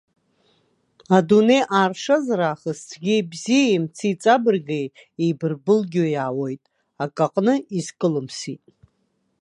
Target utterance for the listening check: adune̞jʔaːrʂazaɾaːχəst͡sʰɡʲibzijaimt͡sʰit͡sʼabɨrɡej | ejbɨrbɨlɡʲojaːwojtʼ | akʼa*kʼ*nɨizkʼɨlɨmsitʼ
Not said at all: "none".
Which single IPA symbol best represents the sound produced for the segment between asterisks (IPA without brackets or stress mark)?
qʼ